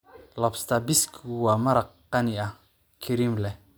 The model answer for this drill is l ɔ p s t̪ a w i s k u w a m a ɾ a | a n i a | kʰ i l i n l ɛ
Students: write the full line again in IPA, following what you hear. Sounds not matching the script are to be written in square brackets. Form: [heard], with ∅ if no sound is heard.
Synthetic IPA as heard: l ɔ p s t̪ a [b] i s k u w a m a ɾ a | a n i a | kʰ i [ɾ] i [m] l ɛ